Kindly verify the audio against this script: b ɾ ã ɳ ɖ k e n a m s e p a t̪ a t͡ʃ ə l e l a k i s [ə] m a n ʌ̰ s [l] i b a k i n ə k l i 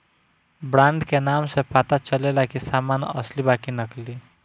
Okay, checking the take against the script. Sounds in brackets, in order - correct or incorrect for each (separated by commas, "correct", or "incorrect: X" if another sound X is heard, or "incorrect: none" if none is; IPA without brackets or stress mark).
incorrect: a, correct